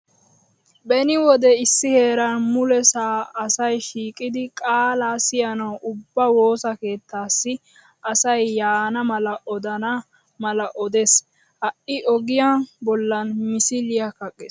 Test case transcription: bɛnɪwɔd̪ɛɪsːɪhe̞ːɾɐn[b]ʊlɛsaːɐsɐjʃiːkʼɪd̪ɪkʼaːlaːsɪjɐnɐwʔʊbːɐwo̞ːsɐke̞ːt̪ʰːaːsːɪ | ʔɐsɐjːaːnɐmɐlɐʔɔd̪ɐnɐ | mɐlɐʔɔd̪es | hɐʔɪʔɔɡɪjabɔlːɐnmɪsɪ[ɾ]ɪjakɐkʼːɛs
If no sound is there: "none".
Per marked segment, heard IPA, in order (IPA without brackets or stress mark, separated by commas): m, l